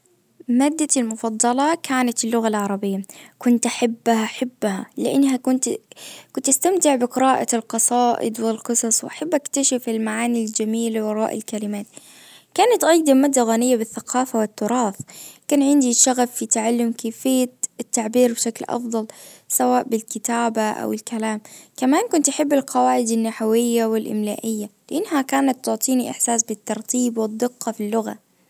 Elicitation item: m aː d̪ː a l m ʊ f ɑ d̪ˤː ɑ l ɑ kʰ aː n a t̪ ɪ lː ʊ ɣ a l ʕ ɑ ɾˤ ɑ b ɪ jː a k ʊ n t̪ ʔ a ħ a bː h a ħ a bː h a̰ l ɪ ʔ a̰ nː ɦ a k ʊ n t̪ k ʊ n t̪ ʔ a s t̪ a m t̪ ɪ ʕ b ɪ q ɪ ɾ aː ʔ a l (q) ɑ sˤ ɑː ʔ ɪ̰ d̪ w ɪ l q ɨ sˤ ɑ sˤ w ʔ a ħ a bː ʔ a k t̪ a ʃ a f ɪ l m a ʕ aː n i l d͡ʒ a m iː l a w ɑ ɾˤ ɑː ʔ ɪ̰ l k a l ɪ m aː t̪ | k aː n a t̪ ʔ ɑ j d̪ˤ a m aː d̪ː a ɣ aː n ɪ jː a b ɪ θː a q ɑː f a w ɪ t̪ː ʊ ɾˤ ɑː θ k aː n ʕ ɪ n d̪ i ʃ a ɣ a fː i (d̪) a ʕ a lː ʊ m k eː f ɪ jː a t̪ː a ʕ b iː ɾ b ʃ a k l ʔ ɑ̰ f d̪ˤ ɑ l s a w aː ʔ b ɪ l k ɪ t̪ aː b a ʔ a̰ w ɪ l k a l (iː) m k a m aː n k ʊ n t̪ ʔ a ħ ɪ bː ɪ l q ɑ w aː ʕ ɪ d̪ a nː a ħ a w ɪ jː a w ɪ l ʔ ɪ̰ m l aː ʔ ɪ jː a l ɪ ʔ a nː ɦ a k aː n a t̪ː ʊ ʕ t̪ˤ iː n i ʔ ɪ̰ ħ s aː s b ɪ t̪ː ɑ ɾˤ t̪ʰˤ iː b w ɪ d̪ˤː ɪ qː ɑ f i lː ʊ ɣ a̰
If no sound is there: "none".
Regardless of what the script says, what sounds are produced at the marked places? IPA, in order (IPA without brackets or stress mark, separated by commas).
q, t̪, aː